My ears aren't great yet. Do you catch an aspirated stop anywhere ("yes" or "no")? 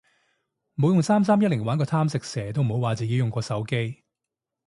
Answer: yes